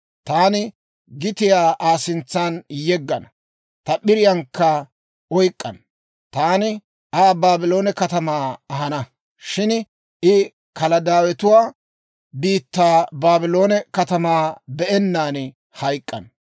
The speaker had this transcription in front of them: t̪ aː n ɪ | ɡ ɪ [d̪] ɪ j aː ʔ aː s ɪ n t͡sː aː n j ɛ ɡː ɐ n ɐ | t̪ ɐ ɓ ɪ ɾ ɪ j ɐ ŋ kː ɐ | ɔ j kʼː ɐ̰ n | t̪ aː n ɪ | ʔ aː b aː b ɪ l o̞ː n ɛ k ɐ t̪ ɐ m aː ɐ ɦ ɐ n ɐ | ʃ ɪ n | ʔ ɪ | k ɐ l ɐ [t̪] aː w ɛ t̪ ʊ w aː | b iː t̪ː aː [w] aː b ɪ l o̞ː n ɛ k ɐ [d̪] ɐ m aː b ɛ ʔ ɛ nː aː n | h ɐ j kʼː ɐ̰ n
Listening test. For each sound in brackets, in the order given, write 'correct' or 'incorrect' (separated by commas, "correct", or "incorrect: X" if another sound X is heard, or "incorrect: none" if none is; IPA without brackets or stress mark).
incorrect: t̪, incorrect: d̪, incorrect: b, incorrect: t̪